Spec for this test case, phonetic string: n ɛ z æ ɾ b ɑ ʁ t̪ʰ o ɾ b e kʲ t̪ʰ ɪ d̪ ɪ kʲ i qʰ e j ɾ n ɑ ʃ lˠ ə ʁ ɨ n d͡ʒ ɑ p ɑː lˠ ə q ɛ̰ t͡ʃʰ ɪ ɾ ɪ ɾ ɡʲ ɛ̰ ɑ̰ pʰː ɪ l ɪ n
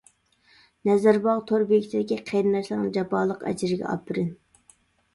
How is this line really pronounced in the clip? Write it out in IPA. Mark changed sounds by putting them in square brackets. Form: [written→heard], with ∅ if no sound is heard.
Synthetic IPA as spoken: n ɛ z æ ɾ b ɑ ʁ t̪ʰ o ɾ b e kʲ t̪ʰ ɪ d̪ ɪ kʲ i qʰ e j ɾ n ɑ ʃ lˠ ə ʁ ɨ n d͡ʒ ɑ p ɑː lˠ ə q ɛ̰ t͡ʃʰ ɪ ɾ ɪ [ɾ→∅] ɡʲ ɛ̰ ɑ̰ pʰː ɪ [l→ɾ] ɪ n